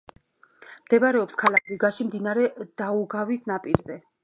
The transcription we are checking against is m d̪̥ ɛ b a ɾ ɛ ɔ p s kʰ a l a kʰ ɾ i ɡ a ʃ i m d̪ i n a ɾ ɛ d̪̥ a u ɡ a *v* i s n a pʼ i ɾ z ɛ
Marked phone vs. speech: correct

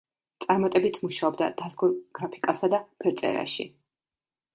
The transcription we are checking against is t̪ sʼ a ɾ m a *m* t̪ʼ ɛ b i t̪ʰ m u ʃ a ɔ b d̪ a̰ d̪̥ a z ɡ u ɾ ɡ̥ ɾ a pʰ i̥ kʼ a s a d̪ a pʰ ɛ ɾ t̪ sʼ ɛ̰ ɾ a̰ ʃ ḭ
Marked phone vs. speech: incorrect: none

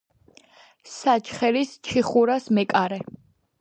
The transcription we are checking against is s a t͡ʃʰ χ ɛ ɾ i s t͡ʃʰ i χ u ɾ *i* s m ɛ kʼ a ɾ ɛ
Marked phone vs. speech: incorrect: a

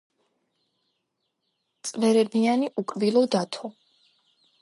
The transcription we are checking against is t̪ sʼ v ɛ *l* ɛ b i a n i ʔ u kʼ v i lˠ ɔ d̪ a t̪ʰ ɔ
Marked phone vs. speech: incorrect: ɾ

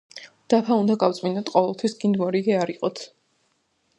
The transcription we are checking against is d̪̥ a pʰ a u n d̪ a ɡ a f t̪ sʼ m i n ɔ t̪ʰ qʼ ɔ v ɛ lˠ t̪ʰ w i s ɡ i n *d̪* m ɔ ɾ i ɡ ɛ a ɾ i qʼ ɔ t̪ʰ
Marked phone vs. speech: correct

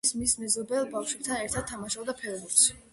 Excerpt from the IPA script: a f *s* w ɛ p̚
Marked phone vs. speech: incorrect: ʃ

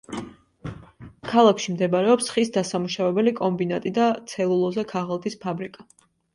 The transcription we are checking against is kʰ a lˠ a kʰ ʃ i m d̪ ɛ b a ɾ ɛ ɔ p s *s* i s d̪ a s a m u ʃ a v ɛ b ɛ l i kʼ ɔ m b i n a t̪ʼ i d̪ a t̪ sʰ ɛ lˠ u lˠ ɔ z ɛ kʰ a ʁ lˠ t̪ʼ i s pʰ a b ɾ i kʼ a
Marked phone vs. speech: incorrect: χ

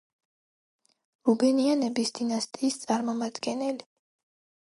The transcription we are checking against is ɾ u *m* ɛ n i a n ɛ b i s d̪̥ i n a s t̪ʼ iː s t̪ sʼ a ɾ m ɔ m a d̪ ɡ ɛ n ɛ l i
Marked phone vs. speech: incorrect: b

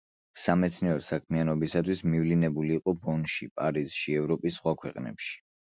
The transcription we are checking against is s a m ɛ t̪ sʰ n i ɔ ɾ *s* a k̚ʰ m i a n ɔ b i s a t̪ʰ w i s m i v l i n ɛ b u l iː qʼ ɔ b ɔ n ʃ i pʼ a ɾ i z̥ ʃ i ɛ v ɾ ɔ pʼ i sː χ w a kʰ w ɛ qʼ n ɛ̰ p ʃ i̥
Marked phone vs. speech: correct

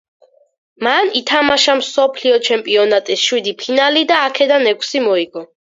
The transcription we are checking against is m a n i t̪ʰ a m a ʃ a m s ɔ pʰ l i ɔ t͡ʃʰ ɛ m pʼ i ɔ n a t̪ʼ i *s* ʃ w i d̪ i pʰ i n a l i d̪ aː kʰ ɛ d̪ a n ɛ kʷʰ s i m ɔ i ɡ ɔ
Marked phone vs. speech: correct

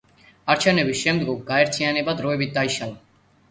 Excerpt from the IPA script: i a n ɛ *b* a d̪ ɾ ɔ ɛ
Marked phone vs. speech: correct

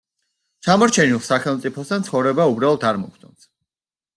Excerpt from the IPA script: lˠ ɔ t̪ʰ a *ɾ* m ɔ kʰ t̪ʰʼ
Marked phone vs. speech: correct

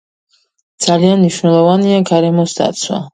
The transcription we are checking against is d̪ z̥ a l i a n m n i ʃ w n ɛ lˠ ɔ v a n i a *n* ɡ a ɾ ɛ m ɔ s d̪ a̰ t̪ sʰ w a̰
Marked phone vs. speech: incorrect: none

